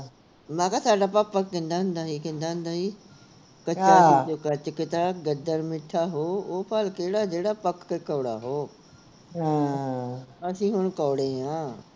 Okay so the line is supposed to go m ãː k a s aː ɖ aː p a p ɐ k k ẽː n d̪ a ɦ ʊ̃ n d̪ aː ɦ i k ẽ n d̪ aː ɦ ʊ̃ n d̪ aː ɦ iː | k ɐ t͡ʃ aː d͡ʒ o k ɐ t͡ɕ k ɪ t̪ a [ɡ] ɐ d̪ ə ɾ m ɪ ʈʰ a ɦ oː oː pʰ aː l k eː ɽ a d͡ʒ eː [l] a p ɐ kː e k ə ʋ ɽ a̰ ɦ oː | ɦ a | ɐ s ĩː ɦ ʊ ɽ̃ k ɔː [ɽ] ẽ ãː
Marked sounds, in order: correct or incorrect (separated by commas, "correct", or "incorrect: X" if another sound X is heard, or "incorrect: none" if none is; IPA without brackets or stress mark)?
correct, incorrect: ɽ, correct